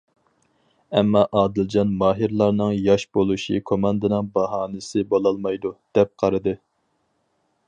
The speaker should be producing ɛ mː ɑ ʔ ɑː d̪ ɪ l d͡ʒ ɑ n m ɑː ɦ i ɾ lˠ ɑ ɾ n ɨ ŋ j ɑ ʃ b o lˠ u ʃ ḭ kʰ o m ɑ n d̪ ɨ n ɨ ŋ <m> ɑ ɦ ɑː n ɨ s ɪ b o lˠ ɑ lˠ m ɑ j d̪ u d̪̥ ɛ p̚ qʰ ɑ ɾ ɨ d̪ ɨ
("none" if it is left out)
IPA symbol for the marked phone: b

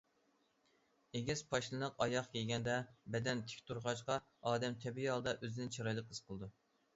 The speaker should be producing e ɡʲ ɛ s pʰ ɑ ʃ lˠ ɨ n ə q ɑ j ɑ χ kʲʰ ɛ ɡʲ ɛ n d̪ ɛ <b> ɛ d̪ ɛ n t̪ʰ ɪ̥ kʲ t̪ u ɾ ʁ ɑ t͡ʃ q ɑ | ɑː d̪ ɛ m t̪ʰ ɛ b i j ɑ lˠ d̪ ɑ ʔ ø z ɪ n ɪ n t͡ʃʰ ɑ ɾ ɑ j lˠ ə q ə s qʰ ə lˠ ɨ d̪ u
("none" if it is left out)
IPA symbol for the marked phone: b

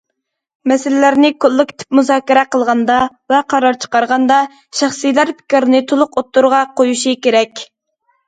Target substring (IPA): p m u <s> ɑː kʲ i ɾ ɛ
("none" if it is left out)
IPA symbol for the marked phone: z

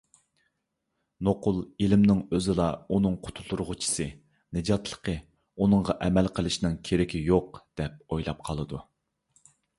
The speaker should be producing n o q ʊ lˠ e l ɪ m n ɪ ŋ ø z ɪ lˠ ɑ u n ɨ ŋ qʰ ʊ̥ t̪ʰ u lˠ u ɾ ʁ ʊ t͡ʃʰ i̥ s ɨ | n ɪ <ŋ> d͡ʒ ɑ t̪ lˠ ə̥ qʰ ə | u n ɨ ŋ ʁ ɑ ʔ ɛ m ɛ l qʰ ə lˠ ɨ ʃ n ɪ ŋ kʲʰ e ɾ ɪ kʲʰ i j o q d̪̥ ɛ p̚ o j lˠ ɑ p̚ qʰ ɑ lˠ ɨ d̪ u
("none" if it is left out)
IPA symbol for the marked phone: none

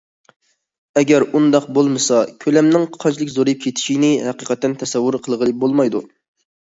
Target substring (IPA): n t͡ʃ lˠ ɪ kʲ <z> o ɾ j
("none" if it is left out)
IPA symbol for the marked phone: z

